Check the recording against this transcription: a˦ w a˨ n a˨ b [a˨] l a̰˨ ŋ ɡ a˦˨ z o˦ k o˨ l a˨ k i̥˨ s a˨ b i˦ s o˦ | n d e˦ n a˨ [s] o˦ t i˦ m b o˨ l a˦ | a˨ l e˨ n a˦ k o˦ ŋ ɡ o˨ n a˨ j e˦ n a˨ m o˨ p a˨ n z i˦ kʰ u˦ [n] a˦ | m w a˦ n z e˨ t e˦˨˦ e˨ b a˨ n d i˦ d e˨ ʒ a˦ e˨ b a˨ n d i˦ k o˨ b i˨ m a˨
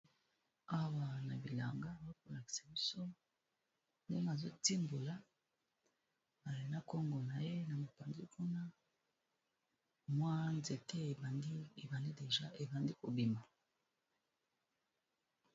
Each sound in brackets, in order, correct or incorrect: incorrect, incorrect, correct

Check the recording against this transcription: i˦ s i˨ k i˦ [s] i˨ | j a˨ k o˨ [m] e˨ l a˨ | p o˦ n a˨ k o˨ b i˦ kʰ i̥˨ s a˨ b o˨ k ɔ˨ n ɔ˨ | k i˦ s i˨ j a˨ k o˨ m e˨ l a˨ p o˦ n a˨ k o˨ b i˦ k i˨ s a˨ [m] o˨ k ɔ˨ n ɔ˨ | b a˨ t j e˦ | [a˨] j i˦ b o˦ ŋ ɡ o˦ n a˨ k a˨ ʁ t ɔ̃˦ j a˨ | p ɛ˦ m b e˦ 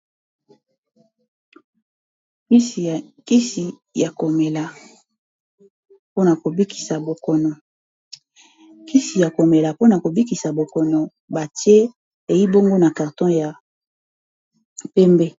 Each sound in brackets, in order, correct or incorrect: correct, correct, incorrect, incorrect

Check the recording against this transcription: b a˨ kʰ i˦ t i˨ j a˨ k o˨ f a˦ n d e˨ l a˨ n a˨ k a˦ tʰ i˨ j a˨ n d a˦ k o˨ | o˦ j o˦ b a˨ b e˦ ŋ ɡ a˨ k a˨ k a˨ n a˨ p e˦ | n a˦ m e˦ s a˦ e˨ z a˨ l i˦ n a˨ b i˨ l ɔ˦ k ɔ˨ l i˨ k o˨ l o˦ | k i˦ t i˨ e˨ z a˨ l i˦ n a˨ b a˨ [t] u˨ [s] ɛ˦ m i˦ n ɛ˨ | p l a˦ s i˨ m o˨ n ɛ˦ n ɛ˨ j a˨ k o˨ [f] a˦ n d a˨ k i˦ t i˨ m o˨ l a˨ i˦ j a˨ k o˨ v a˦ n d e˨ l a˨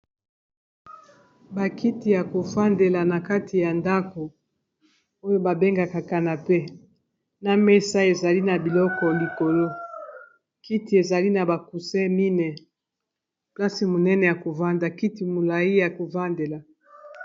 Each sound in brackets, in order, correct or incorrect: incorrect, correct, incorrect

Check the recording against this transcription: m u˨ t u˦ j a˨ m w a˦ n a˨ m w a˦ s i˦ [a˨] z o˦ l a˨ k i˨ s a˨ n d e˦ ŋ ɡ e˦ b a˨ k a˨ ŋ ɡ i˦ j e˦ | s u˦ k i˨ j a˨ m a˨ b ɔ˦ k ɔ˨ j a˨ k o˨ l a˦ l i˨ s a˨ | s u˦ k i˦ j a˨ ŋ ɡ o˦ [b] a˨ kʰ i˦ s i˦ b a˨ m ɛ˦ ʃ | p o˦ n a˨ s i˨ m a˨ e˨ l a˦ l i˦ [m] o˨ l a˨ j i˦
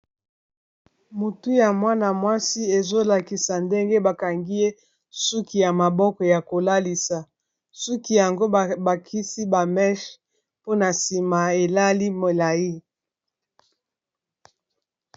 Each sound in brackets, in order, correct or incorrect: incorrect, correct, correct

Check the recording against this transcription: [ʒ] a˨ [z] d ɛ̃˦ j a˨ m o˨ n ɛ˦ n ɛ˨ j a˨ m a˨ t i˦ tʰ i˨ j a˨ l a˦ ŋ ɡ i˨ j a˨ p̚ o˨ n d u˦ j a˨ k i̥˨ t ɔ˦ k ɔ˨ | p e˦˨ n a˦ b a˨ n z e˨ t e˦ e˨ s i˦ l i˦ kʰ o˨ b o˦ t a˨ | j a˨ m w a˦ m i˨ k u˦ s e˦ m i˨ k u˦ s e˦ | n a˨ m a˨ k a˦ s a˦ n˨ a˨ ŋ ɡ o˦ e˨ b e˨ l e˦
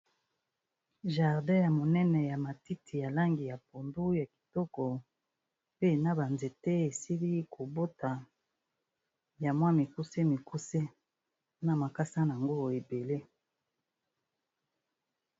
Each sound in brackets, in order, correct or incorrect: correct, incorrect

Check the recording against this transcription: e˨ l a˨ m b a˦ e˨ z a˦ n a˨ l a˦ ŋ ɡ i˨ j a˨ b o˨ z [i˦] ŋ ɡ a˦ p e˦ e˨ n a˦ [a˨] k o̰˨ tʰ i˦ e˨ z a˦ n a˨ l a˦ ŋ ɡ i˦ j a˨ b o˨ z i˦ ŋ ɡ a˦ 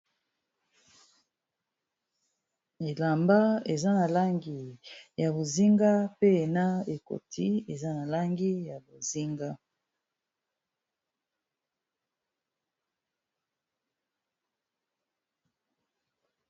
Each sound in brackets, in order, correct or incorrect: correct, incorrect

